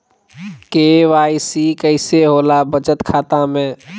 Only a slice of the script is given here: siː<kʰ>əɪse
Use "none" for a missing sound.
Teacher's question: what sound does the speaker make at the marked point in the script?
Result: k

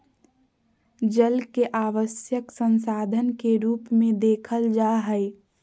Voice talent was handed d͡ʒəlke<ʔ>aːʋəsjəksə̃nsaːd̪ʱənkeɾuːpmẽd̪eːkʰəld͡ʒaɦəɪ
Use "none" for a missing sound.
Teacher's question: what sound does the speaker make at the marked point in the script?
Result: ʔ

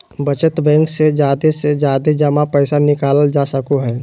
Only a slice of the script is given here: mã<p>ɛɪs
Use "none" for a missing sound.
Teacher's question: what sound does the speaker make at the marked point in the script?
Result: p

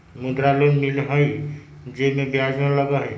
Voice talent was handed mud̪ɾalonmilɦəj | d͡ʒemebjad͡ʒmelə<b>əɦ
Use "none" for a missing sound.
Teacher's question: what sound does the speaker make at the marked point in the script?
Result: ɡ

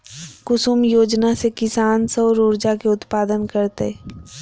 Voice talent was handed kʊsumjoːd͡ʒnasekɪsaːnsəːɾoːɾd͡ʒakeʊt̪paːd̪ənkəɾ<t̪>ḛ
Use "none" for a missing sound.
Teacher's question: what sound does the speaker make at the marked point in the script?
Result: t̪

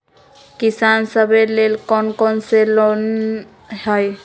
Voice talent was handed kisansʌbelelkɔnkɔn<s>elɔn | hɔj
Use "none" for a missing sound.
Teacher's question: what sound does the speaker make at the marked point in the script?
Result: s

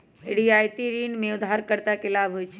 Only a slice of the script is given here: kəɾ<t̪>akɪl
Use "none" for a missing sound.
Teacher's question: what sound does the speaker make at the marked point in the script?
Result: t̪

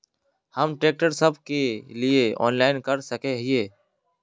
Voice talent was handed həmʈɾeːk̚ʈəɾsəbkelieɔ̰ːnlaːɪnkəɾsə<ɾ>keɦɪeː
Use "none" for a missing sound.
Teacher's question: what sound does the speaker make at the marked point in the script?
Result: none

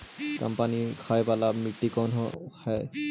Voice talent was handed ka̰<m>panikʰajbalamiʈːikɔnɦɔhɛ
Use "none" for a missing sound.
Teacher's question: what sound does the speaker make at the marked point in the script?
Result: m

